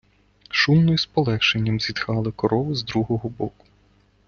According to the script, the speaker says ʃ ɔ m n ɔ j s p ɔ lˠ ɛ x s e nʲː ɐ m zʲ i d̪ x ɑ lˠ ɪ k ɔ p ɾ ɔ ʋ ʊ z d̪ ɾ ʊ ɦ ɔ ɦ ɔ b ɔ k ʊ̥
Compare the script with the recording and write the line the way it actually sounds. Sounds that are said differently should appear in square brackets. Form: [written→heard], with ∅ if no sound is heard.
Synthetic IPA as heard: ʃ [ɔ→u] m n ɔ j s p ɔ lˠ ɛ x [s→ʃ] e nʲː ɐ m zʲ i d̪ x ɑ lˠ ɪ k ɔ [p→∅] ɾ ɔ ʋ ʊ z d̪ ɾ [ʊ→u] ɦ ɔ ɦ ɔ b ɔ k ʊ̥